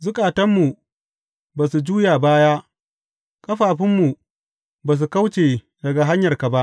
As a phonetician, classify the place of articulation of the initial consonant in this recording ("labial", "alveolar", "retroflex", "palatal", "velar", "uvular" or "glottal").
alveolar